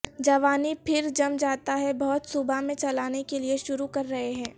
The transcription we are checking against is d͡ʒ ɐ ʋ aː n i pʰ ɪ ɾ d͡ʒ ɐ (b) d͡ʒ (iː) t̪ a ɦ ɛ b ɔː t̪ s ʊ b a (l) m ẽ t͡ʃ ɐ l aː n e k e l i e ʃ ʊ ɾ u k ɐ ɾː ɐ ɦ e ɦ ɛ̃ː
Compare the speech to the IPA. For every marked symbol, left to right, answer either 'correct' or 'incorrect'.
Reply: incorrect, incorrect, incorrect

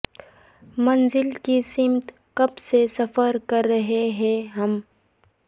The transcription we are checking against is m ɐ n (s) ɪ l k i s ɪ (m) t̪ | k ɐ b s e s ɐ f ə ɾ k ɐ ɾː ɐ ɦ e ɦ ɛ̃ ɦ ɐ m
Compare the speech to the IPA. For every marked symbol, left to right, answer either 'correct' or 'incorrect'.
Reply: incorrect, correct

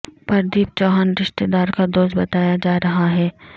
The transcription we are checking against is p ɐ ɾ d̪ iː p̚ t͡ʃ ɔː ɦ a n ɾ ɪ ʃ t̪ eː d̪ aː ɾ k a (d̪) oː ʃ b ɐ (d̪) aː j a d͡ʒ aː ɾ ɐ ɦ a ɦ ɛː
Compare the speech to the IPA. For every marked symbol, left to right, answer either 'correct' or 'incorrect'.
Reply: correct, incorrect

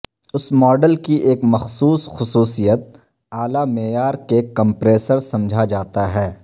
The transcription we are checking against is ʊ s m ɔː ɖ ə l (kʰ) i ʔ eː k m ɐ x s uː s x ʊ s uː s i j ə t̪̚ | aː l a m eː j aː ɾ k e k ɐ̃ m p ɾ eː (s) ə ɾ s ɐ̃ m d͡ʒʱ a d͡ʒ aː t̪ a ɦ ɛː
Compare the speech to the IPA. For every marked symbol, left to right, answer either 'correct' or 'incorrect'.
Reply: incorrect, correct

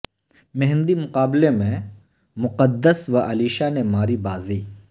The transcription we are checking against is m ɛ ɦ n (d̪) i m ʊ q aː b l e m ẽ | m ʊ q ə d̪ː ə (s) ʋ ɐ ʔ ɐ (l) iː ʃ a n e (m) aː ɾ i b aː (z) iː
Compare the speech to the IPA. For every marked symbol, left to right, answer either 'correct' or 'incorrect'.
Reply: correct, correct, correct, correct, correct

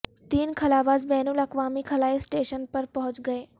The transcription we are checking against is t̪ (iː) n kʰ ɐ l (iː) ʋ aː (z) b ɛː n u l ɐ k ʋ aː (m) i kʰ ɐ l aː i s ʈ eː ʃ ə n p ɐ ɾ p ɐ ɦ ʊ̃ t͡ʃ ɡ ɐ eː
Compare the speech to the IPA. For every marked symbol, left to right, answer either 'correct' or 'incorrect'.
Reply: correct, incorrect, correct, correct

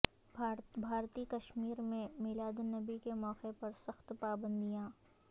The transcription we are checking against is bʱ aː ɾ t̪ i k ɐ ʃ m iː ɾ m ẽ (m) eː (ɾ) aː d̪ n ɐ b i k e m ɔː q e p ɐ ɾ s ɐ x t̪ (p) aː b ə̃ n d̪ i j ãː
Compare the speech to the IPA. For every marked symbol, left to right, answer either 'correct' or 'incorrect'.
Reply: correct, incorrect, correct

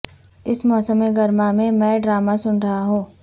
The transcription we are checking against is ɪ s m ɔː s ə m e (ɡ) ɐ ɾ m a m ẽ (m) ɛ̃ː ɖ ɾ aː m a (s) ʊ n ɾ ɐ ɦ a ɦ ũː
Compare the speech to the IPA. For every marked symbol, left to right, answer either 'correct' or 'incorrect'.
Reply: correct, correct, correct

